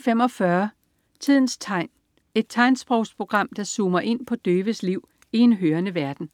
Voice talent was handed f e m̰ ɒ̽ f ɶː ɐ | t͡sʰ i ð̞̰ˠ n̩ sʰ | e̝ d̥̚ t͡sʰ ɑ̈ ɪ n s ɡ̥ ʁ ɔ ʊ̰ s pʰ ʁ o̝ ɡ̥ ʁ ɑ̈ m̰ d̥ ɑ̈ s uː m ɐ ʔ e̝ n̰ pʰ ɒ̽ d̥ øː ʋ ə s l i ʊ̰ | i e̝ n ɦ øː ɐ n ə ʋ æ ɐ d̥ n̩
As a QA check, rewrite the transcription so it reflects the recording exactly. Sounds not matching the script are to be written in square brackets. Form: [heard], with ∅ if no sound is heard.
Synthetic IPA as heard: f e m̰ ɒ̽ f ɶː ɐ | t͡sʰ i ð̞̰ˠ n̩ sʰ | e̝ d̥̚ t͡sʰ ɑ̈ ɪ n s [b̥] ʁ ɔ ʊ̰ s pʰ ʁ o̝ ɡ̥ ʁ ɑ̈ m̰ d̥ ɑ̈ s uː m ɐ ʔ e̝ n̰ pʰ ɒ̽ d̥ øː ʋ ə s l i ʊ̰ | i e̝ n ɦ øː ɐ n ə ʋ æ ɐ d̥ n̩

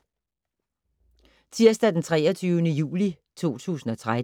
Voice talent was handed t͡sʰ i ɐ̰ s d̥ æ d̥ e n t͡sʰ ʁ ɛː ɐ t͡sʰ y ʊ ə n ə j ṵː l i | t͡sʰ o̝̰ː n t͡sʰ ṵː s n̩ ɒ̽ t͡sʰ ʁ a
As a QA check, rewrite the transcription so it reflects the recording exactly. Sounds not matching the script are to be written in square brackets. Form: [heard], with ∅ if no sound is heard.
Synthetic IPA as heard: t͡sʰ i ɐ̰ s d̥ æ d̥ e n t͡sʰ ʁ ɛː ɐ t͡sʰ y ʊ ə n ə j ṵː l i | t͡sʰ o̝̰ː [∅] t͡sʰ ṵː s n̩ ɒ̽ t͡sʰ ʁ a

